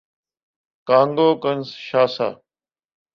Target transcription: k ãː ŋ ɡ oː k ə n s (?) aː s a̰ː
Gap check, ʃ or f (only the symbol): ʃ